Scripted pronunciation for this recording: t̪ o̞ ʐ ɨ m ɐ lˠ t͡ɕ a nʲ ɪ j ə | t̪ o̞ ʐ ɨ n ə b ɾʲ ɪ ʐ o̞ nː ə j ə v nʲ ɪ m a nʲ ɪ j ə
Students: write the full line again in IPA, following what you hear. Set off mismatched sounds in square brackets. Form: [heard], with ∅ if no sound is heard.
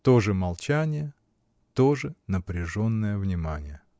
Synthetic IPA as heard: t̪ o̞ ʐ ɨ m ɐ lˠ t͡ɕ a nʲ ɪ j ə | t̪ o̞ ʐ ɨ n ə [p] ɾʲ ɪ ʐ o̞ nː ə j ə v nʲ ɪ m a nʲ ɪ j ə